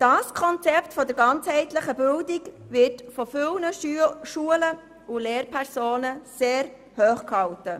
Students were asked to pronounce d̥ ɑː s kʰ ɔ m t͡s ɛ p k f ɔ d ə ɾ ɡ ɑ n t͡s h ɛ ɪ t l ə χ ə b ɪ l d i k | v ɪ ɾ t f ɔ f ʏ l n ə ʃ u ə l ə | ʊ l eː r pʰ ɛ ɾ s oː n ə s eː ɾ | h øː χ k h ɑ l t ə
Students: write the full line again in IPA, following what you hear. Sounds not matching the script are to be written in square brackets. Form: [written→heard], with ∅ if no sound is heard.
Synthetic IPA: d̥ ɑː s kʰ ɔ [m→n] t͡s ɛ p [k→t] f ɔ d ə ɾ ɡ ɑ n t͡s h ɛ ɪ t l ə χ ə b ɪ l d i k | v ɪ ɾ t f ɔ f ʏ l n ə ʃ u ə l ə | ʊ l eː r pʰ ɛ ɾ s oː n ə s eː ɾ | h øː χ k h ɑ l t ə